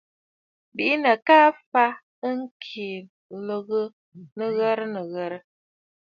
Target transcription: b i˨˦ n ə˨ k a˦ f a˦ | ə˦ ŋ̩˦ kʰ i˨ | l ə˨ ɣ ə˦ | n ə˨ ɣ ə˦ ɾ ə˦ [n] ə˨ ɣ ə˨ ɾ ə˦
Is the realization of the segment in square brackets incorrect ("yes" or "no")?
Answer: no